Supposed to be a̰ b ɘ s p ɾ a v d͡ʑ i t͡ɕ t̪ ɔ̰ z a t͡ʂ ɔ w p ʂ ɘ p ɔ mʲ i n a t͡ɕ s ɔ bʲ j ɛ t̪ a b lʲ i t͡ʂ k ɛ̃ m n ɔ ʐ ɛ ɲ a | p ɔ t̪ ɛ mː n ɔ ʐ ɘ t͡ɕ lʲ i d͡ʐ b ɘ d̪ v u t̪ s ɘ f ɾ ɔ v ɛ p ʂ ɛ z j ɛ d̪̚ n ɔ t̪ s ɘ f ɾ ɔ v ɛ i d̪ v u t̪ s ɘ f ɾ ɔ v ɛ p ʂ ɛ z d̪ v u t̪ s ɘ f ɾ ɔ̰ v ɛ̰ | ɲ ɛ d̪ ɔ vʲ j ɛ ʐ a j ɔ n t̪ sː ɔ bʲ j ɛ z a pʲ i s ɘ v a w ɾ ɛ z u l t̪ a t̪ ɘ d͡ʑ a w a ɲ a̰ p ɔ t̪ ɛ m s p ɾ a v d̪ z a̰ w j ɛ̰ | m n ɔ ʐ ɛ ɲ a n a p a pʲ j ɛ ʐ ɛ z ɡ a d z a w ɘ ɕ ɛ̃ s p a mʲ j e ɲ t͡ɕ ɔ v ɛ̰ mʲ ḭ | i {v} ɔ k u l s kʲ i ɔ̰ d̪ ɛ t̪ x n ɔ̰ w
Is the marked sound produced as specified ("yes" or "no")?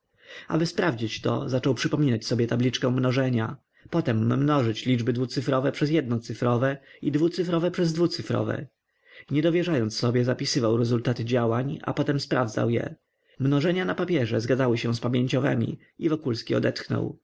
yes